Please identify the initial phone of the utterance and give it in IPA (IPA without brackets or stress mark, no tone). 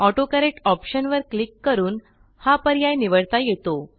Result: ɔ